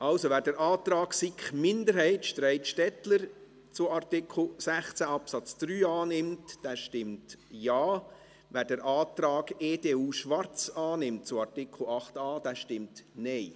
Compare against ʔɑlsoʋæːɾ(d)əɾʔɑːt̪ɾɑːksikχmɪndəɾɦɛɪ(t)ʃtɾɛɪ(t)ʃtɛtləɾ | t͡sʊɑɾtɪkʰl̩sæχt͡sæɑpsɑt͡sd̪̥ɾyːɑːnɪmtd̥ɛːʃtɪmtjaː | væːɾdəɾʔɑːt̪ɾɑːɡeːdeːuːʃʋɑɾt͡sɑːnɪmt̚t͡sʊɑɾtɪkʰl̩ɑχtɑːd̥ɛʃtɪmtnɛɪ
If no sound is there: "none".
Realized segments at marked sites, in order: d, t, t

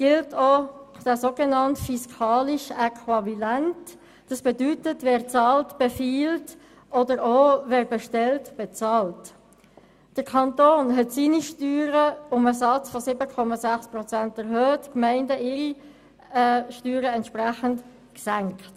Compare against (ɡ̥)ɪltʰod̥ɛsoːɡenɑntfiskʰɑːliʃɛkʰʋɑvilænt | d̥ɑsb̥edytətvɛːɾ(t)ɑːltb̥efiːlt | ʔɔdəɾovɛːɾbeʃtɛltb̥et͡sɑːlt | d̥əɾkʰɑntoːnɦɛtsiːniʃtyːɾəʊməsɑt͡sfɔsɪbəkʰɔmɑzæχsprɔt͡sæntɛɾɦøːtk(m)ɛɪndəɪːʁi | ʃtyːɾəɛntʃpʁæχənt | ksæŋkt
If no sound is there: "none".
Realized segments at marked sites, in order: ɡ̥, t͡s, m

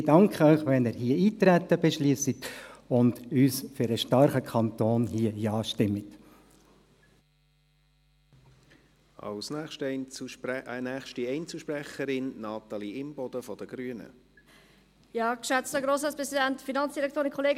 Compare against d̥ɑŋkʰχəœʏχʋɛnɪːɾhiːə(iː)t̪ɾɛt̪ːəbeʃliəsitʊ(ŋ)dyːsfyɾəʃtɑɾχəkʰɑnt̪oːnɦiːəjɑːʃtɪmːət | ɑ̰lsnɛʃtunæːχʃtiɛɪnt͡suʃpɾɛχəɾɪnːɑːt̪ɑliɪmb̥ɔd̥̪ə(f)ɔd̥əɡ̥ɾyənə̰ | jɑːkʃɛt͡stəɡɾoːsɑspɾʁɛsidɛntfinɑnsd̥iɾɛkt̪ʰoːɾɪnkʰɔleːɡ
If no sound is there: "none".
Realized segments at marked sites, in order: iː, n, f

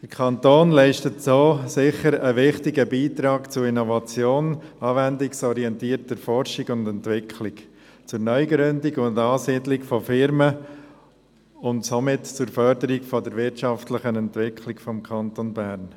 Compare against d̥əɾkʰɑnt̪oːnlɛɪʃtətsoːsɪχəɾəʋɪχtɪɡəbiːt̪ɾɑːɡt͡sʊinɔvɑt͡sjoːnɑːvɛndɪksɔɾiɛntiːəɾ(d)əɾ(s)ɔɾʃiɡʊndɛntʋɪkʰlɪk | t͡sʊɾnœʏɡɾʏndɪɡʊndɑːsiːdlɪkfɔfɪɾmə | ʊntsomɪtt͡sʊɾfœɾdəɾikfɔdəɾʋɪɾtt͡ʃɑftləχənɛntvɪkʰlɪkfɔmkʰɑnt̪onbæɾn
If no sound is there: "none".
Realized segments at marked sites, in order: t, f

